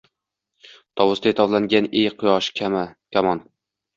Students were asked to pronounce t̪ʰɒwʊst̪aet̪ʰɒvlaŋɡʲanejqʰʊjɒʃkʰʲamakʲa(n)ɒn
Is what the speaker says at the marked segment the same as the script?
no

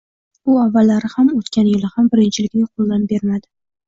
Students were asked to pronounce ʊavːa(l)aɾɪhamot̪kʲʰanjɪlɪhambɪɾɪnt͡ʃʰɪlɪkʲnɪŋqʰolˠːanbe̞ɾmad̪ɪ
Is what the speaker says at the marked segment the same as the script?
no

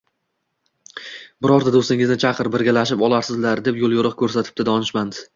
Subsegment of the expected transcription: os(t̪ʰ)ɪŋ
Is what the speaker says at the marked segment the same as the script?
no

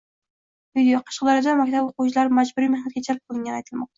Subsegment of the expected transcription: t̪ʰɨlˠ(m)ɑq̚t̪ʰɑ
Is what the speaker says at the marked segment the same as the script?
yes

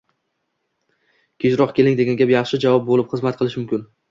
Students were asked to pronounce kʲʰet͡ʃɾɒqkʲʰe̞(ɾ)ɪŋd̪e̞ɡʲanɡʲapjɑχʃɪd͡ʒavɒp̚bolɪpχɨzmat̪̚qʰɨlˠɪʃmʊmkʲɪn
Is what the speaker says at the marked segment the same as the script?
no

